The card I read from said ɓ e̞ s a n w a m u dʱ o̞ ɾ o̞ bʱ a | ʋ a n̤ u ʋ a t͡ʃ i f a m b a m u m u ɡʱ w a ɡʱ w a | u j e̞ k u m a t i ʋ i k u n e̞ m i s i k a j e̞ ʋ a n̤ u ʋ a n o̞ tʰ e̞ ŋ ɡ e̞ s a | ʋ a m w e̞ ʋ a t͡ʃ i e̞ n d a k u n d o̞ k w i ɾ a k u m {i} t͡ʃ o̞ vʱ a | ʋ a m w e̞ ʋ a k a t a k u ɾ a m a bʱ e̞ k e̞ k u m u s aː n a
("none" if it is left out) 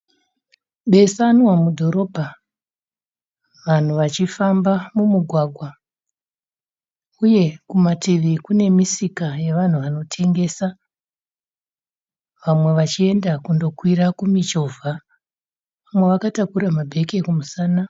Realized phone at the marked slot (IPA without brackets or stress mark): i